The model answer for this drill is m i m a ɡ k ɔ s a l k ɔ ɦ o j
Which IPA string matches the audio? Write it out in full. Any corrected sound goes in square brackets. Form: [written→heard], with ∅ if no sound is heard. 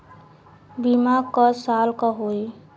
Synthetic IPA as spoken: [m→b] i m a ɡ k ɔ s a l k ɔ ɦ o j